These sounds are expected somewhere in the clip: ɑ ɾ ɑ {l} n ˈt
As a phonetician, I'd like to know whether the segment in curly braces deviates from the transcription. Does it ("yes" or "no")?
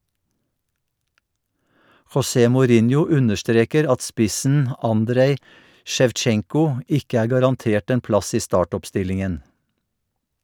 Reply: yes